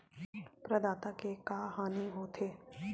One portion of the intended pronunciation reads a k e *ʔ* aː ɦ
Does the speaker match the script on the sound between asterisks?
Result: no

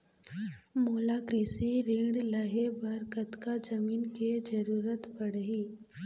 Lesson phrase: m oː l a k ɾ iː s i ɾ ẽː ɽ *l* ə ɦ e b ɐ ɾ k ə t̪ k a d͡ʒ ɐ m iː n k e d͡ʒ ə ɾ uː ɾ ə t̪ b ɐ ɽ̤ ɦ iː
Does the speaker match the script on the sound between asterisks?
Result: yes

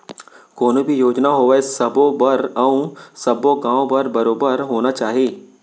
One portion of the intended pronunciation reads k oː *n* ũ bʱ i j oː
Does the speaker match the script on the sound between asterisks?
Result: yes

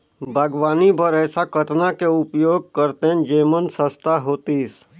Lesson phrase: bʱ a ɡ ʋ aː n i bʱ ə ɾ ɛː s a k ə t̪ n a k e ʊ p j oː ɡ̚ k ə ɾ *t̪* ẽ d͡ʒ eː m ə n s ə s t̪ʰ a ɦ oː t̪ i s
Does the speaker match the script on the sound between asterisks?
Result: yes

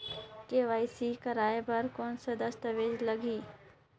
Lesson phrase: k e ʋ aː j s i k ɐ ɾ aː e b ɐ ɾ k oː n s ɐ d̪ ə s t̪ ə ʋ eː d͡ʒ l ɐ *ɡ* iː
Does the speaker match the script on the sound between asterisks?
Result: yes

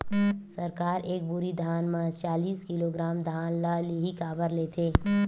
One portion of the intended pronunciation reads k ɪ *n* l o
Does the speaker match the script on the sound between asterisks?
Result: no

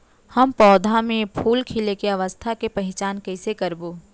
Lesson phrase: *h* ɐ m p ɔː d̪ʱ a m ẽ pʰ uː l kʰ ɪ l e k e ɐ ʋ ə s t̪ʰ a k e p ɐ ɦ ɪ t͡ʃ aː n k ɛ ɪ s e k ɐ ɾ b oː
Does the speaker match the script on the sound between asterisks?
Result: yes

